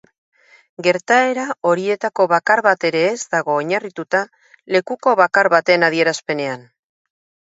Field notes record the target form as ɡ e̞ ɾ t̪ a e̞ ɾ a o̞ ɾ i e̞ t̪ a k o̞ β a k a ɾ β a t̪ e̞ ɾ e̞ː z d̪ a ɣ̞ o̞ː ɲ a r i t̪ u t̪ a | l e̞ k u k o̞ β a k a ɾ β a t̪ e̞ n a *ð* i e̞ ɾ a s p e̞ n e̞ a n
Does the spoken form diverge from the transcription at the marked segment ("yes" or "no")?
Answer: no